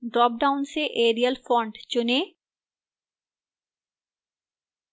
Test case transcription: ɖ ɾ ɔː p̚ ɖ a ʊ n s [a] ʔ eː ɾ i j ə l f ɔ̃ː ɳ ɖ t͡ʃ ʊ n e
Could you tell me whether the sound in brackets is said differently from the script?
yes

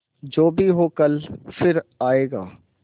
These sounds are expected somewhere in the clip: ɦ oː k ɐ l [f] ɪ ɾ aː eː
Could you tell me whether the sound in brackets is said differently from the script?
no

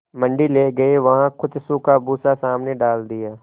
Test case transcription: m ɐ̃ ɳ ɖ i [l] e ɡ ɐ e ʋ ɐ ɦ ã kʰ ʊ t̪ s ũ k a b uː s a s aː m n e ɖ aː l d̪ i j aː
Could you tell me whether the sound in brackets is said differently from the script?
no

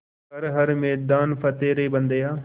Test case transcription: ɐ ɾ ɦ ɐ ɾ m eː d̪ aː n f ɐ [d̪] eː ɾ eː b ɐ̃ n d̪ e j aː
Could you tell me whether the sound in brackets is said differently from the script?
yes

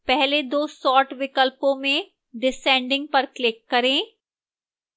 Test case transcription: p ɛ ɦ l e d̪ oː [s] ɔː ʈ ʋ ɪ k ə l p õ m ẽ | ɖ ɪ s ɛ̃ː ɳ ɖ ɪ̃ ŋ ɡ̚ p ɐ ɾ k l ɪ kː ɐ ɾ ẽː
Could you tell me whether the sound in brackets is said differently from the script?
no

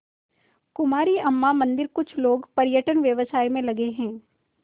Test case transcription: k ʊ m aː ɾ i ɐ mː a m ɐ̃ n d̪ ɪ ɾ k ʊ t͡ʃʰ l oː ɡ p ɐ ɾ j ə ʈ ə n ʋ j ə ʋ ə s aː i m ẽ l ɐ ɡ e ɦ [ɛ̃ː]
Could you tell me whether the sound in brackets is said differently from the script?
no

